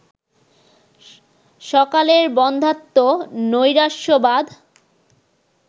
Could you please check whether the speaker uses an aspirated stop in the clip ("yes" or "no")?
no